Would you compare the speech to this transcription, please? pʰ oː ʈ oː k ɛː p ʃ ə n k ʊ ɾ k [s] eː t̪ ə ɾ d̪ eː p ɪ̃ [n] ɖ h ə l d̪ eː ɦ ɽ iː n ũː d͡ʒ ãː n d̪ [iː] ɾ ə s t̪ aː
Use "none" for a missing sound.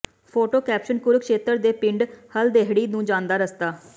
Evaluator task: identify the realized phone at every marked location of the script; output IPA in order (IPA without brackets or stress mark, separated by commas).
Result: ʃ, ɳ, aː